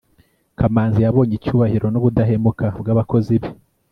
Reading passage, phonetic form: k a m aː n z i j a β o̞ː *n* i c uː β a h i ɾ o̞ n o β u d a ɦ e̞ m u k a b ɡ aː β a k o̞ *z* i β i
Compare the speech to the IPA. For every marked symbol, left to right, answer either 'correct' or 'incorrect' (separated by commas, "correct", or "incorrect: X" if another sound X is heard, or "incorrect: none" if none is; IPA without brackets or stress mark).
incorrect: ɲ, correct